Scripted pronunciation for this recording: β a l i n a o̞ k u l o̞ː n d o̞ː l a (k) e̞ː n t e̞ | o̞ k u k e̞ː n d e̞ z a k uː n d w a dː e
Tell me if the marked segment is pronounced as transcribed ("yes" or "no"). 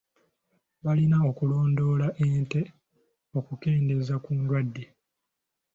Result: no